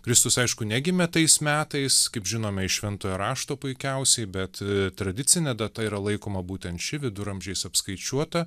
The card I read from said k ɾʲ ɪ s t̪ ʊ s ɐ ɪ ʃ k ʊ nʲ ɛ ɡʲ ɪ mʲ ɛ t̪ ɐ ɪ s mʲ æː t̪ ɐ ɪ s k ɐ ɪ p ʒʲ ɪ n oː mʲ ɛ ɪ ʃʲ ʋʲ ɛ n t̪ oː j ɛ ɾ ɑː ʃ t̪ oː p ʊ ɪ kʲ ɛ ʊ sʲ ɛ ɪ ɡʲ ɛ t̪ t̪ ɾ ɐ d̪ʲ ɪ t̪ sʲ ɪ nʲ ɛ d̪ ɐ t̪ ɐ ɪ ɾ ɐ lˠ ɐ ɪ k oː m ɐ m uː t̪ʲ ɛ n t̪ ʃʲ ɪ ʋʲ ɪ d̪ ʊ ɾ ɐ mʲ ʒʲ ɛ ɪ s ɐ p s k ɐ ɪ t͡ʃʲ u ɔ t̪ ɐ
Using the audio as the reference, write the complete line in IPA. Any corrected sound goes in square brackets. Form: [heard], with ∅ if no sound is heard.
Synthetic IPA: k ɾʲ ɪ s t̪ ʊ s ɐ ɪ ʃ k ʊ nʲ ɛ ɡʲ ɪ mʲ ɛ t̪ ɐ ɪ s mʲ æː t̪ ɐ ɪ s k ɐ ɪ p ʒʲ ɪ n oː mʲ ɛ ɪ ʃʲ ʋʲ ɛ n t̪ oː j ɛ ɾ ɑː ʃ t̪ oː p ʊ ɪ kʲ ɛ ʊ sʲ ɛ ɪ [bʲ] ɛ t̪ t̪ ɾ ɐ d̪ʲ ɪ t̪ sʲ ɪ nʲ ɛ d̪ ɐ t̪ ɐ [i] ɾ ɐ lˠ ɐ ɪ k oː m ɐ [b] uː t̪ʲ ɛ n t̪ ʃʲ ɪ ʋʲ ɪ d̪ ʊ ɾ ɐ mʲ ʒʲ ɛ ɪ s ɐ p s k ɐ ɪ t͡ʃʲ u ɔ t̪ ɐ